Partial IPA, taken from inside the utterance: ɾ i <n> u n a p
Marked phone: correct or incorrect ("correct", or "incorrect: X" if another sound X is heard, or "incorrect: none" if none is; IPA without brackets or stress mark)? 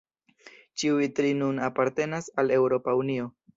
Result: correct